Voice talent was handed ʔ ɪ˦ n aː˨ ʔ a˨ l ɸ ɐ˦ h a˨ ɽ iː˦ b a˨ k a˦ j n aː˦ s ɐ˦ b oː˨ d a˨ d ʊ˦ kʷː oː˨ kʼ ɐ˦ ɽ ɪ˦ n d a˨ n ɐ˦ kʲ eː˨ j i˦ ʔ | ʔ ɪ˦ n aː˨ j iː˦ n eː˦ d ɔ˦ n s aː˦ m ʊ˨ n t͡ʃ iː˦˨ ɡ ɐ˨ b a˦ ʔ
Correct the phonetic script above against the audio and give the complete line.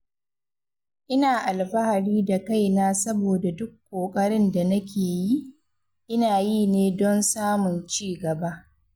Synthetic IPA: ʔ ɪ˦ n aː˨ ʔ a˨ l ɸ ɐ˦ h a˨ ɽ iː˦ d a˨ k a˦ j n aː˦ s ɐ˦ b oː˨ d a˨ d ʊ˦ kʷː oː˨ kʼ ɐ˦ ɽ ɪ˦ n d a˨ n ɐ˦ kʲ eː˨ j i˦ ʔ | ʔ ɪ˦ n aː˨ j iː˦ n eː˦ d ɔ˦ n s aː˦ m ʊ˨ n t͡ʃ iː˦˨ ɡ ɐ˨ b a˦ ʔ